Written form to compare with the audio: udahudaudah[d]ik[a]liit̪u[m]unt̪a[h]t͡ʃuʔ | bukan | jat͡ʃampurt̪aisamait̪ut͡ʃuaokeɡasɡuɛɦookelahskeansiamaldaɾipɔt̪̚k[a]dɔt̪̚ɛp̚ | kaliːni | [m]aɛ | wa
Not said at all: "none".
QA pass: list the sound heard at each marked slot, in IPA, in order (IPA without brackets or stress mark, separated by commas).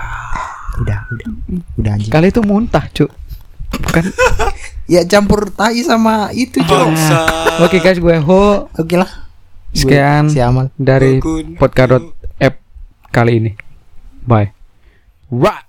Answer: d͡ʒ, a, m, h, a, b